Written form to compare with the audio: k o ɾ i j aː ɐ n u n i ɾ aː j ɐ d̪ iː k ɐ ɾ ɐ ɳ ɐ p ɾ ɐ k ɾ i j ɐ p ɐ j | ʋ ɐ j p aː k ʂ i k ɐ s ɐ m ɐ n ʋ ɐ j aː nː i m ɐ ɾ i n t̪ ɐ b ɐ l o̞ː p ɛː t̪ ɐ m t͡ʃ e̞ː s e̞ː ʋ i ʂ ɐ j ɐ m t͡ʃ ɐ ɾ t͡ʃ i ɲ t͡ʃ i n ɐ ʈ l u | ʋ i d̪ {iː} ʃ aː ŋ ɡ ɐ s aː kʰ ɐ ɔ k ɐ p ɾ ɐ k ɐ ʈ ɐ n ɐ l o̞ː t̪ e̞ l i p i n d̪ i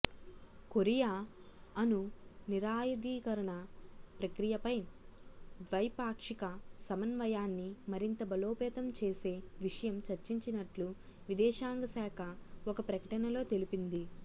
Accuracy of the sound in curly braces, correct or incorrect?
incorrect